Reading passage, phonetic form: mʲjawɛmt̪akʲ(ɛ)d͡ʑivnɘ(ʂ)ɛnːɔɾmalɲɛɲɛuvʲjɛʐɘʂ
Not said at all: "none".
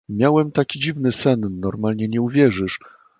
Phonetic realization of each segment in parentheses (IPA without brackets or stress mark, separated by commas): i, s